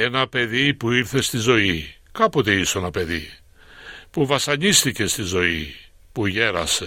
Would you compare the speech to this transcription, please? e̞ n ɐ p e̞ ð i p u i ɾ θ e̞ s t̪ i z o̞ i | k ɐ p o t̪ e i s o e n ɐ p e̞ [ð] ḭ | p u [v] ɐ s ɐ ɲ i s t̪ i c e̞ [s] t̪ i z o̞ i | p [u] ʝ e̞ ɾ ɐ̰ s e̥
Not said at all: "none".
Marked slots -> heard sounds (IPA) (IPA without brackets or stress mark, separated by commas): ð, v, s, u